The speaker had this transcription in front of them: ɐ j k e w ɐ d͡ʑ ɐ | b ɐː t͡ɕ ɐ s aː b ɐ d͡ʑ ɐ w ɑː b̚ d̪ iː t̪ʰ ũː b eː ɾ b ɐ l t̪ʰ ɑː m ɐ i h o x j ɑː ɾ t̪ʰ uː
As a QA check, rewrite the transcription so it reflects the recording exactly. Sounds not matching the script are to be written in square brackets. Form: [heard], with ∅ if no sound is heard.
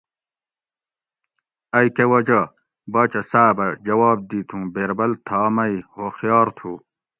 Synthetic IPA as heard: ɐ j k e w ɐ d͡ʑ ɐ | b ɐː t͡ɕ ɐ s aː b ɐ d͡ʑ ɐ w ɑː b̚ d̪ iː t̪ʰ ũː b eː ɾ b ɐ l t̪ʰ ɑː m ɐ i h o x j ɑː ɾ t̪ʰ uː